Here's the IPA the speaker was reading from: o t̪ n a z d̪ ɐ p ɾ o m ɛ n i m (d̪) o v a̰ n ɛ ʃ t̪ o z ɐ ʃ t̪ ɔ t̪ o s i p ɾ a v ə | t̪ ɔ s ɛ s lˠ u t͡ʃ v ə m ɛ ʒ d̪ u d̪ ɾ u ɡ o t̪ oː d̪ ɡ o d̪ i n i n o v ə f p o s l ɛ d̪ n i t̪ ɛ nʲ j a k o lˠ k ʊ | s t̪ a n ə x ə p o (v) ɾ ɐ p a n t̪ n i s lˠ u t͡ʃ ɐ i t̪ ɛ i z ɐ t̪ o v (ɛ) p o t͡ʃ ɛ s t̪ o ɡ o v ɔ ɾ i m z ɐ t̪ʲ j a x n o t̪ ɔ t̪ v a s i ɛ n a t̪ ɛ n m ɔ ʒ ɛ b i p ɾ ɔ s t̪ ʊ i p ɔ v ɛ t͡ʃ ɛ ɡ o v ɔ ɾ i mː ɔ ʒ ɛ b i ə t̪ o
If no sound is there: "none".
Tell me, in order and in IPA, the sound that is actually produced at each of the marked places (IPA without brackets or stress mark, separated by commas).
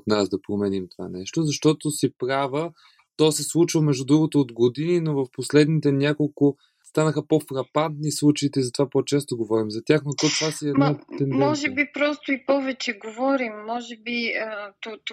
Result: t̪, f, a